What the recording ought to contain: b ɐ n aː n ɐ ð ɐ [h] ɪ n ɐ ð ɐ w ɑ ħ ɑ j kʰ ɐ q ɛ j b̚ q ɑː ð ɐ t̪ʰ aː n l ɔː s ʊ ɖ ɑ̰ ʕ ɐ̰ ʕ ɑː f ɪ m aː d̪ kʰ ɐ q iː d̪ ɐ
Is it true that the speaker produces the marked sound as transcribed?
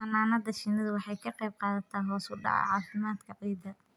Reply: no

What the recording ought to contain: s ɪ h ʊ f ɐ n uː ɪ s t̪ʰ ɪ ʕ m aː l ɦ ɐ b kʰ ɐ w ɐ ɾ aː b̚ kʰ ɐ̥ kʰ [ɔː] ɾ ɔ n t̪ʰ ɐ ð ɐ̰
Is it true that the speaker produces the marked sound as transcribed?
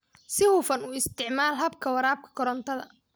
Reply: no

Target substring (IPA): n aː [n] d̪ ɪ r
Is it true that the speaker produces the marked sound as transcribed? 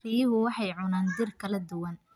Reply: yes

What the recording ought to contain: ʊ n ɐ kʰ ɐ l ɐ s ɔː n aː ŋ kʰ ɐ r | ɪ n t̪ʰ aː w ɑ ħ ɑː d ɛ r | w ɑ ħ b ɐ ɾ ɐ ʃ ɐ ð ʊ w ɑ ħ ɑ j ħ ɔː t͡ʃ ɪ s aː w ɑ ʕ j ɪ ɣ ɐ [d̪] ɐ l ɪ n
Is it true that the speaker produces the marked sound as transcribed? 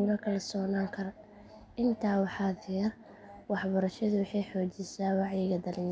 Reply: yes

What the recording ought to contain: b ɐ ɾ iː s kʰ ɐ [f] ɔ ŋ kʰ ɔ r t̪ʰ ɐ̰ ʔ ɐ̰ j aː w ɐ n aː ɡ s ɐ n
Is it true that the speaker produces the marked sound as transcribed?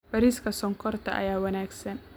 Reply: no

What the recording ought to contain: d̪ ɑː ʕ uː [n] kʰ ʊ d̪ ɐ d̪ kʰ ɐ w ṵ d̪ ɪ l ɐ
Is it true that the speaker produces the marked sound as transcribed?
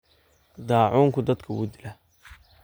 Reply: no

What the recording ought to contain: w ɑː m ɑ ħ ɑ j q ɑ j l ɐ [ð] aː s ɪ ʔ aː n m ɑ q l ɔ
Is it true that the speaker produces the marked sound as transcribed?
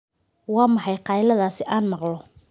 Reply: yes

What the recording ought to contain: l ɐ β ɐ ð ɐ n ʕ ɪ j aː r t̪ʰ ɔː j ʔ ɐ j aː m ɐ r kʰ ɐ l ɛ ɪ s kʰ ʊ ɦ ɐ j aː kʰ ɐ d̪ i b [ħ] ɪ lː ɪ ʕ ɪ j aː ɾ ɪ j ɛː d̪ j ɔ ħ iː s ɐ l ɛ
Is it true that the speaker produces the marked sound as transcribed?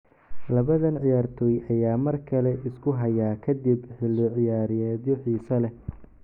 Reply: yes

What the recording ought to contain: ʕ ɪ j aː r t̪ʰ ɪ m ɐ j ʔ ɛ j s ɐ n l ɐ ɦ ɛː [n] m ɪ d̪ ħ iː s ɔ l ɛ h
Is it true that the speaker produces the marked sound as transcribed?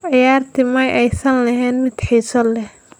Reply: yes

